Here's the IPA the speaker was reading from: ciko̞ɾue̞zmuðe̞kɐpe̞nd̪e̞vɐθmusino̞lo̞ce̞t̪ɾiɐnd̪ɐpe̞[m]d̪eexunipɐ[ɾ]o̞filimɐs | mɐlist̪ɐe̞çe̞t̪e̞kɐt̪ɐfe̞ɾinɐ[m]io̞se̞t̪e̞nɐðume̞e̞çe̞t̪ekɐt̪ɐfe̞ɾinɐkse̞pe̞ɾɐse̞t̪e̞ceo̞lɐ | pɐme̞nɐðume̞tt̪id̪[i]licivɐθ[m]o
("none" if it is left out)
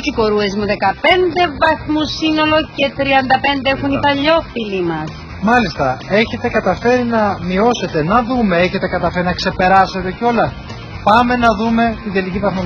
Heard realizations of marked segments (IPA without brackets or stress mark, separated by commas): n, ʎ, m, e, m